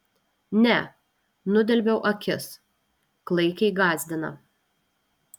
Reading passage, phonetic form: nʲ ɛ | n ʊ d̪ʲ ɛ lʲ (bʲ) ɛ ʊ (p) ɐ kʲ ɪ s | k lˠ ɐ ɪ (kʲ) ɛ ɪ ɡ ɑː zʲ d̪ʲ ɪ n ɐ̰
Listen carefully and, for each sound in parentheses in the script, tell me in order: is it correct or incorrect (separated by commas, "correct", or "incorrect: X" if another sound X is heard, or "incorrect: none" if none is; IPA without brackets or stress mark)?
correct, incorrect: ʔ, correct